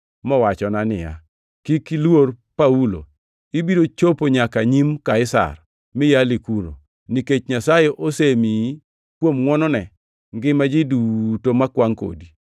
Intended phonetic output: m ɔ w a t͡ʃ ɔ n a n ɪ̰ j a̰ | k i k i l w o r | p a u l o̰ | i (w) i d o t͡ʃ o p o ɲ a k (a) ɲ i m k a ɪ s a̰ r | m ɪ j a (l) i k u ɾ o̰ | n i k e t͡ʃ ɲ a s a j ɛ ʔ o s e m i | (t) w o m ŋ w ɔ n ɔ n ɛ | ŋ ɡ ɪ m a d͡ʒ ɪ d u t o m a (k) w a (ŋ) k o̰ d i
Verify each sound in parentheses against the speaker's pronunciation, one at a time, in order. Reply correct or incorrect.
incorrect, correct, correct, incorrect, correct, correct

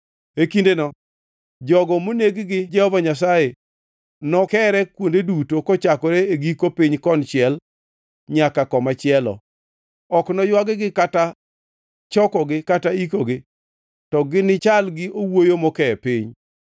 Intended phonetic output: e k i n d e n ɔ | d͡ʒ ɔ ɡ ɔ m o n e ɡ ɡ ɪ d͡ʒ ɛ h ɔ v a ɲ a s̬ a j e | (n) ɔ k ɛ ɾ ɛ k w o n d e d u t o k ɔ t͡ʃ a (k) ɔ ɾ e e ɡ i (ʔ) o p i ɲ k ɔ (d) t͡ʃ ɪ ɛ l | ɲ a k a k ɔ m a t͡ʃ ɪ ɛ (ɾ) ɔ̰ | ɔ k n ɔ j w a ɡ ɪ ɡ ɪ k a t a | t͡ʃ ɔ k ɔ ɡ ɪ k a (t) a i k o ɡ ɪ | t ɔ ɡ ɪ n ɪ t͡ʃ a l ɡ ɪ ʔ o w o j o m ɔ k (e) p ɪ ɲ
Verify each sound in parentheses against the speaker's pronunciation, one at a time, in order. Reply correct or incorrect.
correct, correct, incorrect, incorrect, incorrect, correct, incorrect

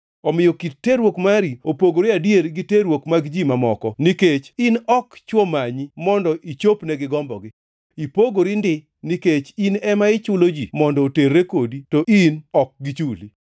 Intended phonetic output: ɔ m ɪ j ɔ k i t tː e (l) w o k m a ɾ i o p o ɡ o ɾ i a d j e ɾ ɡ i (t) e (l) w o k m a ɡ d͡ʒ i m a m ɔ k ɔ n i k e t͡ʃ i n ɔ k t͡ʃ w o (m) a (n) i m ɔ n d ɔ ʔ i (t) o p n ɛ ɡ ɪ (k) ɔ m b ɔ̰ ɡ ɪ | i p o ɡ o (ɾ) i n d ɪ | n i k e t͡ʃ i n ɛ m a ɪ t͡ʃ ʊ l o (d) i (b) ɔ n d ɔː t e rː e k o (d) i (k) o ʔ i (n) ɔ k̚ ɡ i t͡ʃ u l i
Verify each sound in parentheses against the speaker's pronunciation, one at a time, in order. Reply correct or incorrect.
incorrect, correct, incorrect, correct, incorrect, incorrect, incorrect, correct, incorrect, incorrect, correct, incorrect, correct

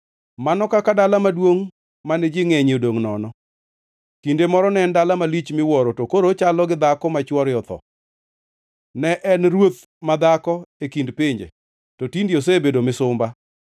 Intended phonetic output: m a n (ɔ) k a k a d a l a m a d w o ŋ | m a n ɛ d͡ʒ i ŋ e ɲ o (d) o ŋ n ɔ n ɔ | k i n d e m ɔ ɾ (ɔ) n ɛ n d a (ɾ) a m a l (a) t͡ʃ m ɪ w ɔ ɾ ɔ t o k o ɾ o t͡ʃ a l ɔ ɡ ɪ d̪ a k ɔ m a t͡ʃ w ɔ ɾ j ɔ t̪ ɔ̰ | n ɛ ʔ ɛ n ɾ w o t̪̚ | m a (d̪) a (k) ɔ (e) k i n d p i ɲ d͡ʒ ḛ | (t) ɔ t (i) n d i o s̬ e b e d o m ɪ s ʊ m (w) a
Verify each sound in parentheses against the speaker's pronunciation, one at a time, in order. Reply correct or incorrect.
correct, correct, correct, incorrect, incorrect, correct, correct, correct, correct, correct, incorrect

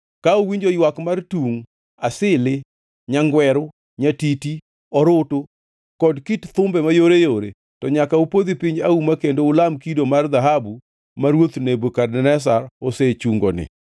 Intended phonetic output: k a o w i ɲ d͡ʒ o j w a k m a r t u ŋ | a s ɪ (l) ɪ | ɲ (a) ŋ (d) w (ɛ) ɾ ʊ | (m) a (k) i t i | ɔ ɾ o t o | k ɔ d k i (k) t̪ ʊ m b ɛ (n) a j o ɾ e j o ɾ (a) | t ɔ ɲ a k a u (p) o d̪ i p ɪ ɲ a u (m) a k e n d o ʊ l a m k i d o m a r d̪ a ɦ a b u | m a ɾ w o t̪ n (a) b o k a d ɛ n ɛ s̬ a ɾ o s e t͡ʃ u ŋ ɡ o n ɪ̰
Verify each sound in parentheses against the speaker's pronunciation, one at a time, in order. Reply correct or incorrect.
correct, correct, incorrect, correct, incorrect, incorrect, incorrect, incorrect, incorrect, correct, correct, incorrect

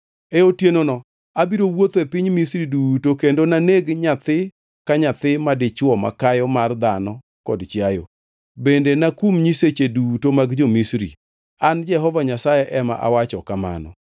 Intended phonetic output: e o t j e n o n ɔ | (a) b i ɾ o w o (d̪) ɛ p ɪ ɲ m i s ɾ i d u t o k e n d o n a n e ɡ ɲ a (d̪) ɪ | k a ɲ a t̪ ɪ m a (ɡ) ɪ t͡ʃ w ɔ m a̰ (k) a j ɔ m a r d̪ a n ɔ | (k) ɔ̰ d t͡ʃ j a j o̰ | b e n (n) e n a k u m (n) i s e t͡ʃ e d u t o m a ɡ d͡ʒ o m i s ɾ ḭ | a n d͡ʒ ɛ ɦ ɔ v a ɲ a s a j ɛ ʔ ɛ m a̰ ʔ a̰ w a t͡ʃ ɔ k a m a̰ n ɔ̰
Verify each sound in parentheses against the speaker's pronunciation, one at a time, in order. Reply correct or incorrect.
correct, incorrect, incorrect, incorrect, correct, correct, incorrect, incorrect

